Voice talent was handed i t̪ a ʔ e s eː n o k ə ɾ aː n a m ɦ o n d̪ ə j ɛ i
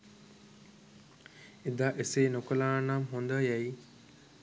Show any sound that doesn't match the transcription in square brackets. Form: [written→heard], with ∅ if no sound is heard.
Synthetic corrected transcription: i [t̪→d̪] a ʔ e s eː n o k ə [ɾ→l] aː n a m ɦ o n d̪ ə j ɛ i